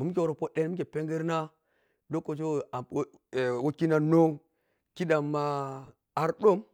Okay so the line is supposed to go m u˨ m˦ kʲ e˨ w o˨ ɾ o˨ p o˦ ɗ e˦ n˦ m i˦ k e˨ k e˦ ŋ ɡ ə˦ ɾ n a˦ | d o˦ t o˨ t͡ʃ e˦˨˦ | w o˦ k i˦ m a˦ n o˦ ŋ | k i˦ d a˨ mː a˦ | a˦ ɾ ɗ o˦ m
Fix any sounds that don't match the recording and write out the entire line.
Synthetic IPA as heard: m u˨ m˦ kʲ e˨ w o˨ ɾ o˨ p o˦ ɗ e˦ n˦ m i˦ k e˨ p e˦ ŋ ɡ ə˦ ɾ n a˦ | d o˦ k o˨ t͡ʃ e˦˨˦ | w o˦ k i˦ n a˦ n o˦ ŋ | k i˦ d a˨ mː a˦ | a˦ ɾ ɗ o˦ m